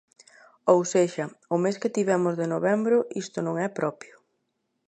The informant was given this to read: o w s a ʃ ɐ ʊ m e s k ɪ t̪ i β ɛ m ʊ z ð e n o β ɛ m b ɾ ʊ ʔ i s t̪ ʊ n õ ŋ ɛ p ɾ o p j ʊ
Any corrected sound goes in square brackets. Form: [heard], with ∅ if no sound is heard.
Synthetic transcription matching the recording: o w s [e] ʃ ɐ ʊ m e s k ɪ t̪ i β ɛ m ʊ z ð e n o β ɛ m b ɾ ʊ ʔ i s t̪ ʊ n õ ŋ ɛ p ɾ [ɔ] p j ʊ